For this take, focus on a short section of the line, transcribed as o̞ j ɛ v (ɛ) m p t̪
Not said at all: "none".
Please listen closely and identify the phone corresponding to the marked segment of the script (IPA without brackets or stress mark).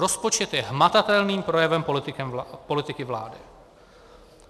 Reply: ɛ